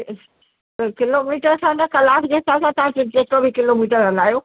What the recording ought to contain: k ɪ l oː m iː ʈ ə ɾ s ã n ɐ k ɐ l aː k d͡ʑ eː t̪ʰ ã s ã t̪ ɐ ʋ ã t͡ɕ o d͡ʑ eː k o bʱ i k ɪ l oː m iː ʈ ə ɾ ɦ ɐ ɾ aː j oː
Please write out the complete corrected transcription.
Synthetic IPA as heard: k ɪ l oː m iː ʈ ə ɾ s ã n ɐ k ɐ l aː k d͡ʑ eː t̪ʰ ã s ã t̪ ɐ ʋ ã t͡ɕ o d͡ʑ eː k o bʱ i k ɪ l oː m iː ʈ ə ɾ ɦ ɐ l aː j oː